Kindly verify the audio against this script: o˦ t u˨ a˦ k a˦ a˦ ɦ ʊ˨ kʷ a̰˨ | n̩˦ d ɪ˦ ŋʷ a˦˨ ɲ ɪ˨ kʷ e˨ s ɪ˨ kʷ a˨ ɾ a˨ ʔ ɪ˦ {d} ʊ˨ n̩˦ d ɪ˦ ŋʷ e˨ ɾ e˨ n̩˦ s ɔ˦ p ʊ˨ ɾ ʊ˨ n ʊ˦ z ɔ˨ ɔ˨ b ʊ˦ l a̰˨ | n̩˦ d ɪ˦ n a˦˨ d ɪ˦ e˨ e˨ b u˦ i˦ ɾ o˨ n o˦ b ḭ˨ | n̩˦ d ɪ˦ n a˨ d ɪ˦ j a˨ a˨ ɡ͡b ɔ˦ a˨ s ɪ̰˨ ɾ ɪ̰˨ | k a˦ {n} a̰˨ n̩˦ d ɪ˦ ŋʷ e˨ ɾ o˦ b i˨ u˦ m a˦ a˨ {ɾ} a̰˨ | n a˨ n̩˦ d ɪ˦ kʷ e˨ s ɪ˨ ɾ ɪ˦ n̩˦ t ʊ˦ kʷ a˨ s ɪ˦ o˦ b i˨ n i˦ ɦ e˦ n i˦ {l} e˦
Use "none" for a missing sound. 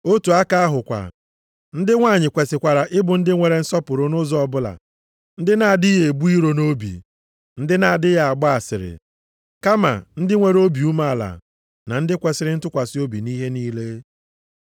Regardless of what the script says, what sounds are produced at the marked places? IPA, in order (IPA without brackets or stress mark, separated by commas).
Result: b, m, l, l